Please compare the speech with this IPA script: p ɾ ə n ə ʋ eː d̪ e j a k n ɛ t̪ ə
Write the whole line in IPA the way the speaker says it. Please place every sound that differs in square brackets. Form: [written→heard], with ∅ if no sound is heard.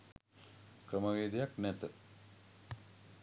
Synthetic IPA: [p→k] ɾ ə [n→m] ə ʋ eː d̪ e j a k n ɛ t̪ ə